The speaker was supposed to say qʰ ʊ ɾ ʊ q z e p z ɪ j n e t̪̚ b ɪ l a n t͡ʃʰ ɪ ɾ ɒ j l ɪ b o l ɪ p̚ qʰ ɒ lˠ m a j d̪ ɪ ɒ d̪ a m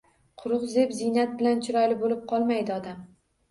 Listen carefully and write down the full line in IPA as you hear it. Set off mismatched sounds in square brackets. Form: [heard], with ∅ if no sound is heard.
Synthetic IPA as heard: qʰ ʊ ɾ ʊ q z e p z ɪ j n [a] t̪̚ b ɪ l a n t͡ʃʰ ɪ ɾ ɒ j l ɪ b o l ɪ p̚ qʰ ɒ lˠ m a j d̪ ɪ ɒ d̪ a m